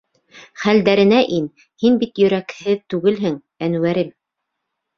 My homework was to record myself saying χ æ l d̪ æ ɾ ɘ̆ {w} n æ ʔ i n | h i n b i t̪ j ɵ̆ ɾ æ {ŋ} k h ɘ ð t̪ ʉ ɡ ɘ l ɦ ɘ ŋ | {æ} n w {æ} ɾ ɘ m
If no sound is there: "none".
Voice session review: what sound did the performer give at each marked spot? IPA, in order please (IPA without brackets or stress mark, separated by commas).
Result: none, none, æ, æ